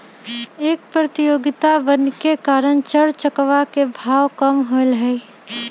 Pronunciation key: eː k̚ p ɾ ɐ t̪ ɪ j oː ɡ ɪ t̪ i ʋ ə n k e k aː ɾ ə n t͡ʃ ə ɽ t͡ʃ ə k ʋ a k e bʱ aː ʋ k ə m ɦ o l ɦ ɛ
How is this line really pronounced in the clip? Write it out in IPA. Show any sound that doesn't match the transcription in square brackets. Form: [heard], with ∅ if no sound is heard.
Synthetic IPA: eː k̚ p ɾ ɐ t̪ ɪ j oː ɡ ɪ t̪ [a] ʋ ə n k e k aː ɾ ə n t͡ʃ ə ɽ t͡ʃ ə k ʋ a k e bʱ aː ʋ k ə m ɦ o l ɦ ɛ

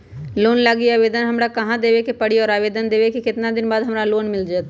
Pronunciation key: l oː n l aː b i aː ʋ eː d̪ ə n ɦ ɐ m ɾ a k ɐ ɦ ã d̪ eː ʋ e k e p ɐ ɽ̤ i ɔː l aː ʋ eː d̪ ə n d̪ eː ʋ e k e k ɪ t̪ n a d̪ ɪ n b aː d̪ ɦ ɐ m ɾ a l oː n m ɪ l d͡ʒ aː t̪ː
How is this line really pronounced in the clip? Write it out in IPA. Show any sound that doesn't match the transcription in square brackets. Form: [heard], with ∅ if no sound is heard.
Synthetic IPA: l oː n l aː [ɡ] i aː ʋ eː d̪ ə n ɦ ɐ m ɾ a k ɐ ɦ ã d̪ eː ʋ e k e p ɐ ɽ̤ i ɔː [ɾ] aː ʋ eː d̪ ə n d̪ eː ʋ e k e k ɪ t̪ n a d̪ ɪ n b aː d̪ ɦ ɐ m ɾ a l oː n m ɪ l d͡ʒ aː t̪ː

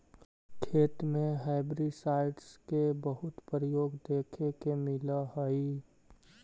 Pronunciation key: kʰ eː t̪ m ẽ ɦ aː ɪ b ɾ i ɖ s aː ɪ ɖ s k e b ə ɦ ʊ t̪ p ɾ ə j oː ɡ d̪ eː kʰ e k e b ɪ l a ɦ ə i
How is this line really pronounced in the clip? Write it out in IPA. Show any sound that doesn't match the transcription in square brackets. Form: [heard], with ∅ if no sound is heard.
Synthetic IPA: kʰ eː t̪ m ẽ ɦ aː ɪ b ɾ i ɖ s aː ɪ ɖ s k e b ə ɦ ʊ t̪ p ɾ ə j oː ɡ d̪ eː kʰ e k e [m] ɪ l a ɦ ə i

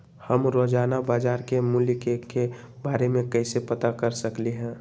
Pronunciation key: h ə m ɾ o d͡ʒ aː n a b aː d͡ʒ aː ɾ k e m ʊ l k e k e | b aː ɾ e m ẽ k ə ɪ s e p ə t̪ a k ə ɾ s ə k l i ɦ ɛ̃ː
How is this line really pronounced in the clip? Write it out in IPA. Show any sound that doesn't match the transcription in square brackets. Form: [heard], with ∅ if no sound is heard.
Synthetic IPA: h ə m ɾ o d͡ʒ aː n a b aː d͡ʒ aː ɾ k e m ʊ l k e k e | b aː ɾ e m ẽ k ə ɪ s e p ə t̪ a k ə ɾ s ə k l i ɦ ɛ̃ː

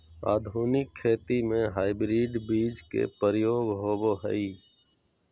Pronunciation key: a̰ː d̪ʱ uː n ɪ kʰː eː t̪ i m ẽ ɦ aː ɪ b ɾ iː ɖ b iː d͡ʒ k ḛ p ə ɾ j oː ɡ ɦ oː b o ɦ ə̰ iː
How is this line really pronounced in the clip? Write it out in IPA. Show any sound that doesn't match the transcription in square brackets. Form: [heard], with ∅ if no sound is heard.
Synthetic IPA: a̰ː d̪ʱ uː n ɪ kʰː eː t̪ i m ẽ ɦ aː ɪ b ɾ iː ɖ b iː d͡ʒ k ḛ p ə ɾ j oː ɡ ɦ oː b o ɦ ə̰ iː

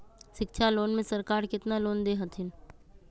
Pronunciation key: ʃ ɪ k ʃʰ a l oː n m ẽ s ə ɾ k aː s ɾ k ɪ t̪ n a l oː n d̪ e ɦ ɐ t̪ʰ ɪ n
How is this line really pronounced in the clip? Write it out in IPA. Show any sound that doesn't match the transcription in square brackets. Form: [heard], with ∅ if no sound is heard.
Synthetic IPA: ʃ ɪ k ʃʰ a l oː n m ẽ s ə ɾ k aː [∅] ɾ k ɪ t̪ n a l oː n d̪ e ɦ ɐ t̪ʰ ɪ n

